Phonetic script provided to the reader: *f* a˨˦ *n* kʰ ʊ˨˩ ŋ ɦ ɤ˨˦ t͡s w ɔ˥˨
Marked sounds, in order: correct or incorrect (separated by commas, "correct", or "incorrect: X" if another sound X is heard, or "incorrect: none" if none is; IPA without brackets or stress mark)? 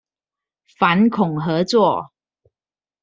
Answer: correct, correct